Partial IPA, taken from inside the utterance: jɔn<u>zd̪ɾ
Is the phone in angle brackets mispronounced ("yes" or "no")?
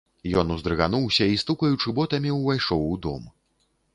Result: no